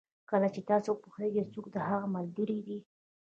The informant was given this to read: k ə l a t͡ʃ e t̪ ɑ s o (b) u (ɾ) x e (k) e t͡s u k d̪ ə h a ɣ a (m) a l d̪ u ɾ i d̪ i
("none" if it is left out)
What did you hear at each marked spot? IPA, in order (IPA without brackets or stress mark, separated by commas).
p, none, ɡ, m